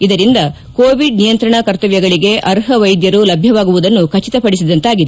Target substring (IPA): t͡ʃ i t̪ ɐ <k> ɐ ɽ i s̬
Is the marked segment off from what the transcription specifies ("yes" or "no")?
yes